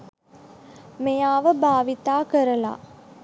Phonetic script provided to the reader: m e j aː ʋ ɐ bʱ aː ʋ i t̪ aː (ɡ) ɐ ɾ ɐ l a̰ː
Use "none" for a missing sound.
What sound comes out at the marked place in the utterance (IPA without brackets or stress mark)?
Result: k